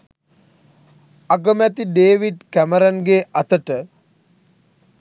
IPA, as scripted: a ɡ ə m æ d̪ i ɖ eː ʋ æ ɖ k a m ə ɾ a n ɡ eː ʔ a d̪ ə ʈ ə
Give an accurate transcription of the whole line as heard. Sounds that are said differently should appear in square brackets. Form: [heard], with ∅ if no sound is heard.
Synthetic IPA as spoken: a ɡ ə m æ [t̪] i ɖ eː ʋ [i] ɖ k [æ] m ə ɾ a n ɡ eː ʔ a [t̪] ə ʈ ə